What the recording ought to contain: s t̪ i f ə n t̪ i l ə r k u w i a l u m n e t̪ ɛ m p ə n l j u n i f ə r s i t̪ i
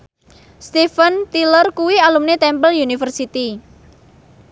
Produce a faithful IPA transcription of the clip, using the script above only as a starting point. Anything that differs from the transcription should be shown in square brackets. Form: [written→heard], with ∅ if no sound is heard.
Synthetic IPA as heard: s t̪ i f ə n t̪ i l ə r k u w i a l u m n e t̪ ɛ m p ə [n→∅] l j u n i f ə r s i t̪ i